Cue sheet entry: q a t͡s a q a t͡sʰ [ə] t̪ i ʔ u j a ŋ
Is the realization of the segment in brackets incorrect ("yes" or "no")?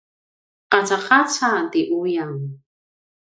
yes